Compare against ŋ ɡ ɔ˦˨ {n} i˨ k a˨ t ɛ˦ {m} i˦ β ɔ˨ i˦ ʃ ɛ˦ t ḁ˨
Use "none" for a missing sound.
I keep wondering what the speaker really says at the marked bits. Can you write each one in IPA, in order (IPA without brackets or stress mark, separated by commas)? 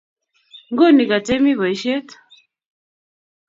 n, m